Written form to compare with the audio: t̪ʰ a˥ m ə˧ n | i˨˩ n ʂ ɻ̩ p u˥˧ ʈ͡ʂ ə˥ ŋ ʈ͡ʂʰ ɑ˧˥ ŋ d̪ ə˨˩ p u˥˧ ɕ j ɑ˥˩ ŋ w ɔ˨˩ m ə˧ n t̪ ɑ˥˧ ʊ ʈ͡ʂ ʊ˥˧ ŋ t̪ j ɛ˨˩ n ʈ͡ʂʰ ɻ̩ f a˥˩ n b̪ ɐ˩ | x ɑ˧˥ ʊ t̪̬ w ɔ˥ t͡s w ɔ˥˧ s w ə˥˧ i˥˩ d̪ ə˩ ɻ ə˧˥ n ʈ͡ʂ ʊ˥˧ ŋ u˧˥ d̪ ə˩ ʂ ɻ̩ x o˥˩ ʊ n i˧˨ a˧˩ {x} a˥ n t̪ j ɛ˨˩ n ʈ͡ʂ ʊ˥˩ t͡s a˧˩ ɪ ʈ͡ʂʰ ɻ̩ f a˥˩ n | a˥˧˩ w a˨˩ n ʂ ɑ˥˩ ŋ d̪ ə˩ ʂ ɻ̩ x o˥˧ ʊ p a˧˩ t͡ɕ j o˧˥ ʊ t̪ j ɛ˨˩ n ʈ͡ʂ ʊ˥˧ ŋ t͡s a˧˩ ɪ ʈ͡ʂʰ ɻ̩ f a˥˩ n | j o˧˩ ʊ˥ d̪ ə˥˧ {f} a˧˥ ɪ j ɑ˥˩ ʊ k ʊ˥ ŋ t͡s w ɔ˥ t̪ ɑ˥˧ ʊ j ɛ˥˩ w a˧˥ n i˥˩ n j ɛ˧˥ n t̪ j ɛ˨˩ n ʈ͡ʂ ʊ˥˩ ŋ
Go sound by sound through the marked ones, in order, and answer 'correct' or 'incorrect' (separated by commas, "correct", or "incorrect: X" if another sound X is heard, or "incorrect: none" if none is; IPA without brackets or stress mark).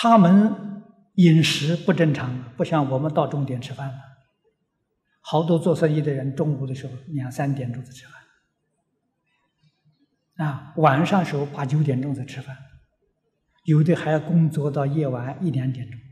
incorrect: s, incorrect: x